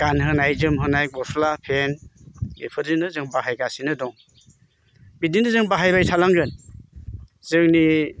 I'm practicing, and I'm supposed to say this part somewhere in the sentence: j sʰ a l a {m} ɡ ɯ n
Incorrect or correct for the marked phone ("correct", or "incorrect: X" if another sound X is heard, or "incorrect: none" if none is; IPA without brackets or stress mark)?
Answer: incorrect: ŋ